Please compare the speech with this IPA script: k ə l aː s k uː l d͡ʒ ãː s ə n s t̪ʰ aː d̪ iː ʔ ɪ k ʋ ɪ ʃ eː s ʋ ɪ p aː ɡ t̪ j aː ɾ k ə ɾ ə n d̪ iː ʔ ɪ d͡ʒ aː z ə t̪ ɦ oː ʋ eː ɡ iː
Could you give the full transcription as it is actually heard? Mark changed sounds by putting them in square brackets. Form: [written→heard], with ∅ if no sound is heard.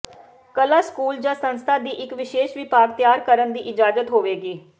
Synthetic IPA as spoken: k ə l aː s k uː l d͡ʒ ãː s ə n s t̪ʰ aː d̪ iː ʔ ɪ k ʋ ɪ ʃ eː [s→ʃ] ʋ ɪ p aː ɡ t̪ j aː ɾ k ə ɾ ə n d̪ iː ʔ ɪ d͡ʒ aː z ə t̪ ɦ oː ʋ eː ɡ iː